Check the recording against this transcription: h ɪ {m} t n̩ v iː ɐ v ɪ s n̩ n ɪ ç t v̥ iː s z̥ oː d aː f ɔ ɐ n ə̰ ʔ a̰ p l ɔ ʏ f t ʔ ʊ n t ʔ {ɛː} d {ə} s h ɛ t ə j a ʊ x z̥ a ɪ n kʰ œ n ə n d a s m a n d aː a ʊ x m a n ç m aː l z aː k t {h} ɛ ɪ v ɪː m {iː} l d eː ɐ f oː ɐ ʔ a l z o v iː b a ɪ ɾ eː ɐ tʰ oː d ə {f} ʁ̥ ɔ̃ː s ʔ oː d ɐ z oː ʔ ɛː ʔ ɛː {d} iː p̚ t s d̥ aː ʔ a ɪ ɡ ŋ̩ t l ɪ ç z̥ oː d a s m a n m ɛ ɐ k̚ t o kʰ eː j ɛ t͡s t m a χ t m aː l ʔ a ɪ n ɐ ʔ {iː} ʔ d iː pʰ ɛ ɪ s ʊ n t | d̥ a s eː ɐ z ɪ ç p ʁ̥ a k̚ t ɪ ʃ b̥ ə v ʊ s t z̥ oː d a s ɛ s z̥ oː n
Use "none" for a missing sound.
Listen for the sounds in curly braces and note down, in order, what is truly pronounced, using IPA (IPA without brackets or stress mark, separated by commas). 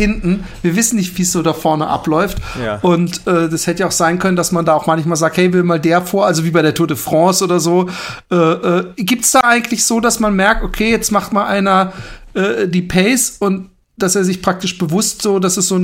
n, ɛː, a, h, aː, f, ɡ, ɛː